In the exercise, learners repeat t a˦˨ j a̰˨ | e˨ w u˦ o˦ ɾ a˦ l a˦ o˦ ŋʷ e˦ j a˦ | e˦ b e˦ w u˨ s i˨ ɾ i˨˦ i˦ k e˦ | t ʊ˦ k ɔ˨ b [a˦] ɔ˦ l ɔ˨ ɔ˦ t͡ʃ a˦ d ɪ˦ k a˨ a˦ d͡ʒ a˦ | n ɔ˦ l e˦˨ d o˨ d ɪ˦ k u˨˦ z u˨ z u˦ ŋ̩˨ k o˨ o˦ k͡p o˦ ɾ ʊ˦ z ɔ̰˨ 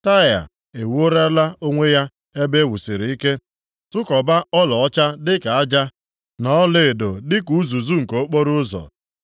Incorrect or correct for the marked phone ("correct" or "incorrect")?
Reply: correct